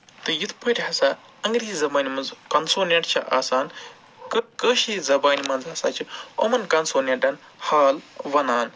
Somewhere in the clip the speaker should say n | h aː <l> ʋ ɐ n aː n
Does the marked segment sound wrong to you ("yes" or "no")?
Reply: no